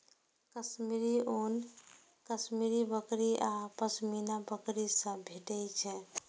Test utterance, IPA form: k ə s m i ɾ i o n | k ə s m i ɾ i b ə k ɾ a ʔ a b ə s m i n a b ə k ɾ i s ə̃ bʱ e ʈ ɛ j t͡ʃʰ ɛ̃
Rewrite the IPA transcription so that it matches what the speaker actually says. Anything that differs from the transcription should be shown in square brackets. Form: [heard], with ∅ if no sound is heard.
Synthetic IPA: k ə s m i ɾ i o n | k ə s m i ɾ i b ə k ɾ [i] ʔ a [p] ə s m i n a b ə k ɾ i s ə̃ bʱ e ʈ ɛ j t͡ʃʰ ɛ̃